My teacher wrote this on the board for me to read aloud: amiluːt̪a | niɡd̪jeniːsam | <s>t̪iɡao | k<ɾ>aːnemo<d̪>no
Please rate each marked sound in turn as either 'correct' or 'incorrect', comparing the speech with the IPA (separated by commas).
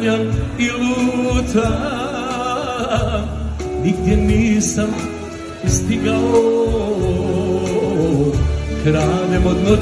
correct, correct, correct